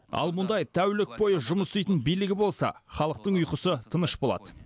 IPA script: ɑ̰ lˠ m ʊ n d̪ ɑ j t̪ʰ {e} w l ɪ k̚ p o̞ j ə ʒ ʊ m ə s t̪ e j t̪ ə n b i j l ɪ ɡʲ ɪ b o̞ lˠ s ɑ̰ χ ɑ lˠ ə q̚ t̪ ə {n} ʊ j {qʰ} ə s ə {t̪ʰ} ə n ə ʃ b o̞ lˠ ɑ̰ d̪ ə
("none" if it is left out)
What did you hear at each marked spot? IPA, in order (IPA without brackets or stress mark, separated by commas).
æ, ɴ, q, t̪ʰ